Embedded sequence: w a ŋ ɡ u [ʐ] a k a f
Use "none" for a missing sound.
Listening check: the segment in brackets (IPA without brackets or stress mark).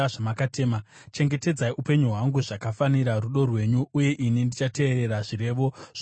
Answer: ʐ